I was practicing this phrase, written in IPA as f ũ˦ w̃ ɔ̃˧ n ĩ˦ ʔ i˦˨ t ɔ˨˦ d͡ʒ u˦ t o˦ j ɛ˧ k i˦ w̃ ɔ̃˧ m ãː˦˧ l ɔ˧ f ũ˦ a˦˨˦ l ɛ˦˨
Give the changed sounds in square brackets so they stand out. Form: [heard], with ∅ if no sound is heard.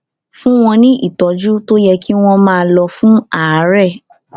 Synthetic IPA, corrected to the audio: f ũ˦ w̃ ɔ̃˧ n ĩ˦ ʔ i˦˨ t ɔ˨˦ d͡ʒ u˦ t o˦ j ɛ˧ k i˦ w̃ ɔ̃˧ m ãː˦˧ l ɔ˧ f ũ˦ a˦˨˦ [ɾ] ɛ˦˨